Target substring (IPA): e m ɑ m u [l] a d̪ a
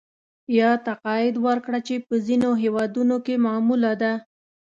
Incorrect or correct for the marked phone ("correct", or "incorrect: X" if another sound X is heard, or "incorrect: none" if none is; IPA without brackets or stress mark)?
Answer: correct